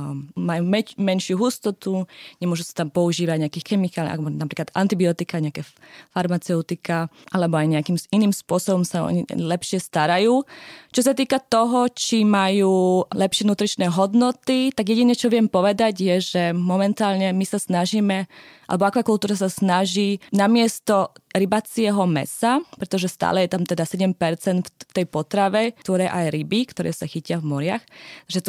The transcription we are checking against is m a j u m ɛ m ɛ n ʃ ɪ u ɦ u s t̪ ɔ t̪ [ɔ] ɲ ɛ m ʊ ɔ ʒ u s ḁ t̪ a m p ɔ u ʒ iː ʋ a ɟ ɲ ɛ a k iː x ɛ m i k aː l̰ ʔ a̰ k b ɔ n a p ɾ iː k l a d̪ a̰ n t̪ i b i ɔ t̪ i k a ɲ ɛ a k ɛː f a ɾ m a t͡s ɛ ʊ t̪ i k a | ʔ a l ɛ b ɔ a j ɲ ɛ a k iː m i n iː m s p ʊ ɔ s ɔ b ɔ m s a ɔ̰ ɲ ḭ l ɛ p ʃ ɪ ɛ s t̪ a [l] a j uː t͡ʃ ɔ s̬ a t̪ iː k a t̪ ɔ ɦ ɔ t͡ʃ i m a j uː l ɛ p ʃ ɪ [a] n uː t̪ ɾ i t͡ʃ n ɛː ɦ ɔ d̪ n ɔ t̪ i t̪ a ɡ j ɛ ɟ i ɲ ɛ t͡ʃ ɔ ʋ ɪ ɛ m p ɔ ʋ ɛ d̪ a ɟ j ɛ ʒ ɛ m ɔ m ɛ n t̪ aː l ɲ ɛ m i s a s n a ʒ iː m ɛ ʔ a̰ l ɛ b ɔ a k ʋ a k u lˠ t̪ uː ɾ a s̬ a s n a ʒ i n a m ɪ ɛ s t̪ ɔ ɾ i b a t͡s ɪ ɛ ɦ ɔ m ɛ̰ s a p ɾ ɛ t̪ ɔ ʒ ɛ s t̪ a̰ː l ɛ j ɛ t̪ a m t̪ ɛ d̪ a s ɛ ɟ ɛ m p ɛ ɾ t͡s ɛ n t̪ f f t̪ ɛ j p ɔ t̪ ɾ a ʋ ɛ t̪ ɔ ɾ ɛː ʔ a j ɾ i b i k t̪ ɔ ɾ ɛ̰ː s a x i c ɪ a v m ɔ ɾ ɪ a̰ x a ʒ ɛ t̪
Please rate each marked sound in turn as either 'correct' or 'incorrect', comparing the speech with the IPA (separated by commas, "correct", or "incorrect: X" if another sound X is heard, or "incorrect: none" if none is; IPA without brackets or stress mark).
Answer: incorrect: u, incorrect: ɾ, incorrect: ɛ